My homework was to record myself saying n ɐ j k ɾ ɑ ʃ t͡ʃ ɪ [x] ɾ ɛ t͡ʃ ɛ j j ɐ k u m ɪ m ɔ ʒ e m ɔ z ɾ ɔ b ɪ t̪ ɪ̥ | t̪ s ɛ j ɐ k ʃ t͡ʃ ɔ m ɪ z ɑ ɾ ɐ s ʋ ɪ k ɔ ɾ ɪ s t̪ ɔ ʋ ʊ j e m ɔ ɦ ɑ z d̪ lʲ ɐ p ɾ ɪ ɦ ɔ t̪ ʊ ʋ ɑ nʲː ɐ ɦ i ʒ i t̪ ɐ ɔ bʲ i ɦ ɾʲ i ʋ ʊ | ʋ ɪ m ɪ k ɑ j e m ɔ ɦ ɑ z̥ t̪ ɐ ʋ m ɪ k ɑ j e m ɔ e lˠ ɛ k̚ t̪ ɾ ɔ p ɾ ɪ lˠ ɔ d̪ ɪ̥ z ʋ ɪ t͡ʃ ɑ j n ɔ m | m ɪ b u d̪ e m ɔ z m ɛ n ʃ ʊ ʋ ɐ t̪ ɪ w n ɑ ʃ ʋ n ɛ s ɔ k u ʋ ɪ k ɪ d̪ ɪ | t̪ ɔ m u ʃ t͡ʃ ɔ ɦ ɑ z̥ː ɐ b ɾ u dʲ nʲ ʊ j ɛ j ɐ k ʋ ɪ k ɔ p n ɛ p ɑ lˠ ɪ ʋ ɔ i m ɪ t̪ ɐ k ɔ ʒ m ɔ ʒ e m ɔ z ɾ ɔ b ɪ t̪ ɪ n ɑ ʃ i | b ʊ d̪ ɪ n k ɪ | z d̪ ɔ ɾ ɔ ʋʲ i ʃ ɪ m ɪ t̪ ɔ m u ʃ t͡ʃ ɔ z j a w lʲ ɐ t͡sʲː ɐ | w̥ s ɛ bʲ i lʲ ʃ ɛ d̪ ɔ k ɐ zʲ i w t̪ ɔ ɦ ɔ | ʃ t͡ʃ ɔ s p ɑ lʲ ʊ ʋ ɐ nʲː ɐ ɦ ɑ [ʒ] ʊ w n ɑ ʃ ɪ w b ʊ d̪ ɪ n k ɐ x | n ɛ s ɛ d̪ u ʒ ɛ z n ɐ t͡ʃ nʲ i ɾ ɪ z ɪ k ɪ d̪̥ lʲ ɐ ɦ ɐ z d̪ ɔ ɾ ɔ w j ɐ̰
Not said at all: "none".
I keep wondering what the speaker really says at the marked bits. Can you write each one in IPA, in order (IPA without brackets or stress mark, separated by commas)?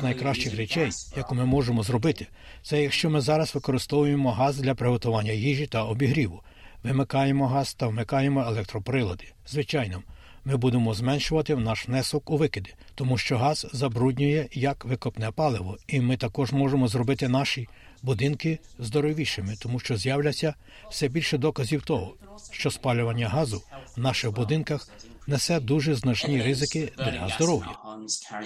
x, z